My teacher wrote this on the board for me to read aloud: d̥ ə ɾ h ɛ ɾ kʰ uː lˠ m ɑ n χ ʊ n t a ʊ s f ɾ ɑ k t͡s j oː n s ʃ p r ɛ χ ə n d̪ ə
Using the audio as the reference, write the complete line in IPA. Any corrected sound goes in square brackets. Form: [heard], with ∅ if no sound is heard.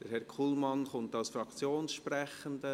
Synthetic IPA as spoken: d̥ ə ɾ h ɛ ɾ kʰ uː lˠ m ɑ n χ ʊ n t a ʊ s f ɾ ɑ k t͡s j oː n s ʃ p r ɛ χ ə n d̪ ə